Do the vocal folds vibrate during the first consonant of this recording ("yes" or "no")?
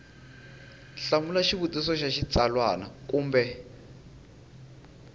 no